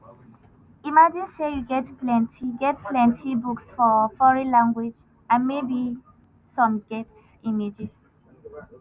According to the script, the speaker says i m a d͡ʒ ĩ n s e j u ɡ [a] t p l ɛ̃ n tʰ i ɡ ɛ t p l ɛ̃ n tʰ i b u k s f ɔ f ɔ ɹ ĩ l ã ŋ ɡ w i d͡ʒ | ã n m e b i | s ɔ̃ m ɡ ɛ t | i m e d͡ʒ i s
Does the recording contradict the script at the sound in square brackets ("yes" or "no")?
yes